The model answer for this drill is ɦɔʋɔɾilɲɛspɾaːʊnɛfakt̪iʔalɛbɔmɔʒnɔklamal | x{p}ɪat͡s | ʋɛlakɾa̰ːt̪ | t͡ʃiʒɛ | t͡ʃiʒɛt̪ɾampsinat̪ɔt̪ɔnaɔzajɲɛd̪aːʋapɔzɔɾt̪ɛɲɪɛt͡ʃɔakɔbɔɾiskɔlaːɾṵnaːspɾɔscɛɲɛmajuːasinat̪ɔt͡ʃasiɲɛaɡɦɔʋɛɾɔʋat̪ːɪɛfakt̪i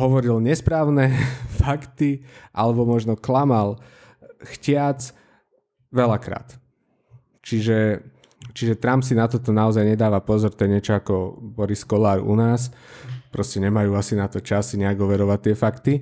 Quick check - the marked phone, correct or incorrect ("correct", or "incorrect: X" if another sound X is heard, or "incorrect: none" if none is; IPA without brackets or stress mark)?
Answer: incorrect: c